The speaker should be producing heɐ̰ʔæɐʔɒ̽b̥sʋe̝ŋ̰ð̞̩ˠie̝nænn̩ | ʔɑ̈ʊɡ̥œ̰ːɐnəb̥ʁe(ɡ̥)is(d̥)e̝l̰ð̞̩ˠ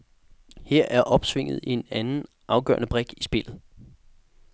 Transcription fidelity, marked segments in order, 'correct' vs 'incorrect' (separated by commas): correct, incorrect